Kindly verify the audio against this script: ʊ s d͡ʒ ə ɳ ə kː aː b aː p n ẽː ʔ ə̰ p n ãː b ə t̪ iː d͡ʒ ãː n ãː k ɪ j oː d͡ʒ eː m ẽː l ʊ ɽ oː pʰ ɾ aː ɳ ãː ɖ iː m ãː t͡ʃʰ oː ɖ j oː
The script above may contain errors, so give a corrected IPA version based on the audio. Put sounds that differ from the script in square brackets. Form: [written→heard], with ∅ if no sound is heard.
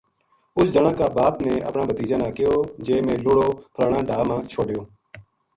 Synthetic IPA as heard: ʊ s d͡ʒ ə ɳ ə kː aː b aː p n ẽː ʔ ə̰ p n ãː b ə t̪ iː d͡ʒ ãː n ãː k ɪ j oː d͡ʒ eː m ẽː l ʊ ɽ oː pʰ ɾ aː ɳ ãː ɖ [iː→aː] m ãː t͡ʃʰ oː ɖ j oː